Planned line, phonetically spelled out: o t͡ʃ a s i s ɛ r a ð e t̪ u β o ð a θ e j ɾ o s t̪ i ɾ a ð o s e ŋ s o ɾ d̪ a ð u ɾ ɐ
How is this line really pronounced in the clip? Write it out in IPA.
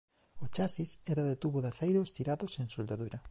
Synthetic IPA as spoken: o t͡ʃ a s i s ɛ ɾ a ð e t̪ u β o ð a θ e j ɾ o s t̪ i ɾ a ð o s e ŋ s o l d̪ a ð u ɾ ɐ

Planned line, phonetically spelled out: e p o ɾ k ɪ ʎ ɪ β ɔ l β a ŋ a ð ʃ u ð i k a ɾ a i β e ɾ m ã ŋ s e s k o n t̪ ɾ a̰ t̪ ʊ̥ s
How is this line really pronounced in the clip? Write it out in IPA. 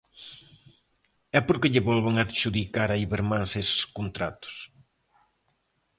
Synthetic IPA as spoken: ɛ p o ɾ k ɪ ʎ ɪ β ɔ l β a ŋ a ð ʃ u ð i k a ɾ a i β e ɾ m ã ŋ s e s k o n t̪ ɾ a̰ t̪ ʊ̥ s

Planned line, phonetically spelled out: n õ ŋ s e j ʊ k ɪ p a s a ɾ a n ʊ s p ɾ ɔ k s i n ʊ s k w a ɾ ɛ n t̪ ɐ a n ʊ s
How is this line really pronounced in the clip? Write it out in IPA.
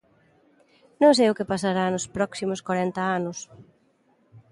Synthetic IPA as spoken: n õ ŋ s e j ʊ k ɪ p a s a ɾ a n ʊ s p ɾ ɔ k s i m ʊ s k w a ɾ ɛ n t̪ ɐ a n ʊ s

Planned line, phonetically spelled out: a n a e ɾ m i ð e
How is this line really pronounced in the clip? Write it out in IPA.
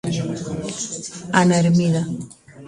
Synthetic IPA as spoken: a n a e ɾ m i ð a

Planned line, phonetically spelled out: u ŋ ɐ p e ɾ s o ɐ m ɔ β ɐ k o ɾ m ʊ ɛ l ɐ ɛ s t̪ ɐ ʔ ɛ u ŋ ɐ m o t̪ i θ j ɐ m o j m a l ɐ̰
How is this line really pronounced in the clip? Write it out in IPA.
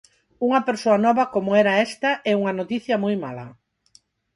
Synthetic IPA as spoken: u ŋ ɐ p e ɾ s o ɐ n ɔ β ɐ k o m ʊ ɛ ɾ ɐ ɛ s t̪ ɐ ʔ ɛ u ŋ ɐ n o t̪ i θ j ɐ m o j m a l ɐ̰

